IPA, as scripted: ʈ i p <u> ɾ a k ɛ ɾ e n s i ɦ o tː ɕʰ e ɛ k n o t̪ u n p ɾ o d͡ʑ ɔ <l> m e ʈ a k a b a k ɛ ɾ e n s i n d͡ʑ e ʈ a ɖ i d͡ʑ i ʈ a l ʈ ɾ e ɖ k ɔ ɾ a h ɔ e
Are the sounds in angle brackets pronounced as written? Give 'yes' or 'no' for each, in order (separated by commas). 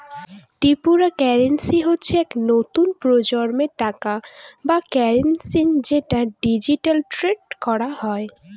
yes, no